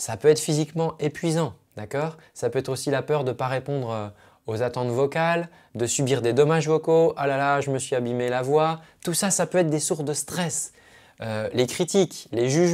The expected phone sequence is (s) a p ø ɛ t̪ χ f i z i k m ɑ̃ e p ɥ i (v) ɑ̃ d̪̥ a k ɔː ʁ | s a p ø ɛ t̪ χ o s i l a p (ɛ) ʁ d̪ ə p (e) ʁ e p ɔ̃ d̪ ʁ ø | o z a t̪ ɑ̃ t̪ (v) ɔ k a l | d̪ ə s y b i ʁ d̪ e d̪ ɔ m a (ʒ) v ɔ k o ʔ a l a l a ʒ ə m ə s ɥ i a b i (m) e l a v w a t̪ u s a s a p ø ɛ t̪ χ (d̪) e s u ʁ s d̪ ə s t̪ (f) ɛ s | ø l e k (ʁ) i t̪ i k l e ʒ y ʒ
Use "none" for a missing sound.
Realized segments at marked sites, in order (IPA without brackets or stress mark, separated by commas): s, z, œ, a, v, ʒ, m, d̪, χ, χ